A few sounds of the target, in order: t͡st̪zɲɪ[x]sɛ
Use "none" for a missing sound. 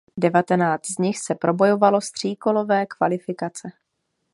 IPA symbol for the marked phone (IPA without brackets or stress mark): x